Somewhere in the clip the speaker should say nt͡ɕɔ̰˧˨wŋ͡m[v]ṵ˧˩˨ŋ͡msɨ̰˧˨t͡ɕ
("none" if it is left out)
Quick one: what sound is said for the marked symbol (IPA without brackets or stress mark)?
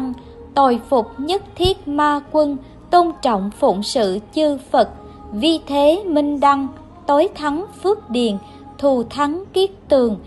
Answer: f